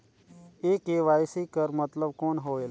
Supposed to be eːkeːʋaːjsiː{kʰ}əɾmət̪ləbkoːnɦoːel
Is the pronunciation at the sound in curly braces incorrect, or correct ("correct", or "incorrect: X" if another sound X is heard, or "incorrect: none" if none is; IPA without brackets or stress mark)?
incorrect: k